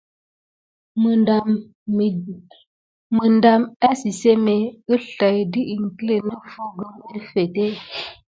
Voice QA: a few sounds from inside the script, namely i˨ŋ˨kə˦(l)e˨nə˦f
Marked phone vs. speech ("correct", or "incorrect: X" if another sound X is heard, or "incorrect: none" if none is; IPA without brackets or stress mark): correct